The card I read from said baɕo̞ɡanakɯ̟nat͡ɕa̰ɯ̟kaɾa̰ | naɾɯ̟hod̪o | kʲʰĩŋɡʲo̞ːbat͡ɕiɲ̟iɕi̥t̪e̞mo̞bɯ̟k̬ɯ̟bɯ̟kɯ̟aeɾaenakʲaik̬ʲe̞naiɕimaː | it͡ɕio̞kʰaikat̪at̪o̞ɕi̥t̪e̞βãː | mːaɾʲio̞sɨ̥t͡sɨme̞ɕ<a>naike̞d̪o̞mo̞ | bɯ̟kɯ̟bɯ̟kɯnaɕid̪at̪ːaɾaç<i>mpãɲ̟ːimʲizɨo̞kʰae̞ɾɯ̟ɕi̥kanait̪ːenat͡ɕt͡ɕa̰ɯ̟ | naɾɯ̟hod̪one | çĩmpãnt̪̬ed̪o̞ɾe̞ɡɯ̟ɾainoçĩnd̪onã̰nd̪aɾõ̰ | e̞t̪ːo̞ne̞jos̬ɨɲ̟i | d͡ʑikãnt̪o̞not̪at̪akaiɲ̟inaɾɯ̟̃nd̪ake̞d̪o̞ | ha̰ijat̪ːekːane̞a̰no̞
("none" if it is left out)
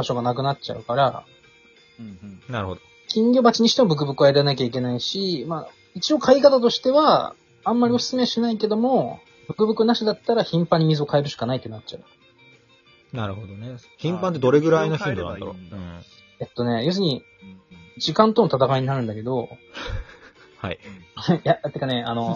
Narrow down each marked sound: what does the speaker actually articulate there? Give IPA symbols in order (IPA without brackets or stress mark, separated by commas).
i, ĩ